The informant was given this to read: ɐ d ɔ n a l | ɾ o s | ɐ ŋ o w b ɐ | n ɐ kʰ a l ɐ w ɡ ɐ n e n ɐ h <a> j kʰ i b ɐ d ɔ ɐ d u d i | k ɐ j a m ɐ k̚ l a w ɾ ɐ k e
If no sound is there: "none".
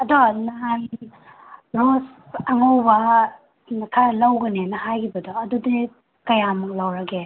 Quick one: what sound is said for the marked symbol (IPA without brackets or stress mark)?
a